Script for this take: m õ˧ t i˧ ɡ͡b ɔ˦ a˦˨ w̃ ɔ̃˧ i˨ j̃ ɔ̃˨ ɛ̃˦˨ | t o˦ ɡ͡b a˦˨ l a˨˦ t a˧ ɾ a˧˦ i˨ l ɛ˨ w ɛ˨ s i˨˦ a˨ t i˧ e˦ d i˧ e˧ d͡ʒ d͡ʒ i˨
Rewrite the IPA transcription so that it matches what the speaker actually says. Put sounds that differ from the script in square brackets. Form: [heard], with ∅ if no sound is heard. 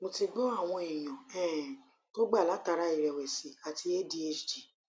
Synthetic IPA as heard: m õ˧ t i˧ ɡ͡b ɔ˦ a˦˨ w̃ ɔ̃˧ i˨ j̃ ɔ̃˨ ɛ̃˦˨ | t o˦ ɡ͡b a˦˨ l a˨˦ t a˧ ɾ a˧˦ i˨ [ɾ] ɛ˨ w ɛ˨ s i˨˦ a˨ t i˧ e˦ d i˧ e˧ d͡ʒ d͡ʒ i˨